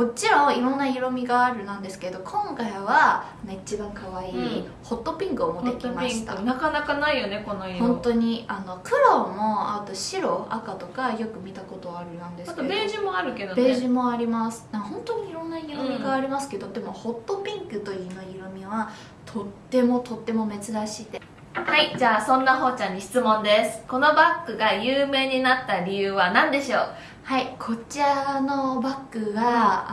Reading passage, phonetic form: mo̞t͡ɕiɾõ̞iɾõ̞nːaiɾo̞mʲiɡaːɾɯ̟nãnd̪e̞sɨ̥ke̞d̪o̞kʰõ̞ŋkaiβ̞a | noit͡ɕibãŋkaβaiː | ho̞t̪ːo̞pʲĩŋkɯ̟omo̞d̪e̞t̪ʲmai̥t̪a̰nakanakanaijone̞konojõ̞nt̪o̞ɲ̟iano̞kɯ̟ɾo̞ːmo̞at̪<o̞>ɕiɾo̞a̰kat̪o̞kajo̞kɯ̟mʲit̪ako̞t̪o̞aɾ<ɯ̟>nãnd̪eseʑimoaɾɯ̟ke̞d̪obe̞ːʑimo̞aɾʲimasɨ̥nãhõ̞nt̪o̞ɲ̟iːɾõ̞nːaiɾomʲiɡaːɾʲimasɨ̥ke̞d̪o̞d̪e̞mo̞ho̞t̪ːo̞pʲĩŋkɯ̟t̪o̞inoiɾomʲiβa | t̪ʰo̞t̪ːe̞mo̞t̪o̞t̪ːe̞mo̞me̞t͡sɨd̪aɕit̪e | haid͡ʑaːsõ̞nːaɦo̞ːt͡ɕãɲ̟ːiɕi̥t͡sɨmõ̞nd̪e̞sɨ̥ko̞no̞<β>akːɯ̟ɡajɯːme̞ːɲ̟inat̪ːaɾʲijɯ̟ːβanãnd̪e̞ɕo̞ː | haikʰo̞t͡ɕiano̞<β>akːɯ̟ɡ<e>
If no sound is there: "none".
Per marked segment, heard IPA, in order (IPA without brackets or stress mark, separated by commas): o̞, ɯ̟, b, b, a